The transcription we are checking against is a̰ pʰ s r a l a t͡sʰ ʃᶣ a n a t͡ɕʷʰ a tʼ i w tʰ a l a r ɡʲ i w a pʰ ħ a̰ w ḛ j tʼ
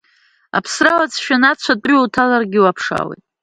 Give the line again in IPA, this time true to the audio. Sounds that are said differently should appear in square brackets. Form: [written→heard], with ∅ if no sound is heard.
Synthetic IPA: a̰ pʰ s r a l a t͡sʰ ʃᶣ a n a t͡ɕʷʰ a tʼ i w tʰ a l a r ɡʲ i w a pʰ [ħ→ʂ] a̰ w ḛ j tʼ